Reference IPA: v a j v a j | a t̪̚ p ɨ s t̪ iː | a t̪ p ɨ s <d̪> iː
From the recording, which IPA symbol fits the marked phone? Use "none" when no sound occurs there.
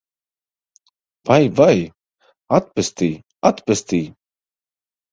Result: t̪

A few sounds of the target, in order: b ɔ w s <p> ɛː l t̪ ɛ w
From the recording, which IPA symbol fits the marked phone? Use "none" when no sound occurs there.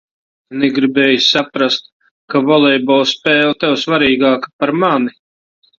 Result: p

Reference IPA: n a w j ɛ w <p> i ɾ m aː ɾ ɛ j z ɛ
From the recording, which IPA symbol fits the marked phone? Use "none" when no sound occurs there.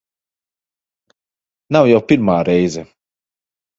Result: p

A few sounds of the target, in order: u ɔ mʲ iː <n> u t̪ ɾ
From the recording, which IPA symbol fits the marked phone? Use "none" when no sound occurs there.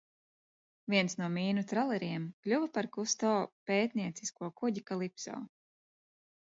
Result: n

